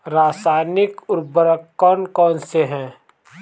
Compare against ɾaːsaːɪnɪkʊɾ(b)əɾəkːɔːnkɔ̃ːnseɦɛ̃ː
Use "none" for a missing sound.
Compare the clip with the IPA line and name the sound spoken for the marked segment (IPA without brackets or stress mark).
b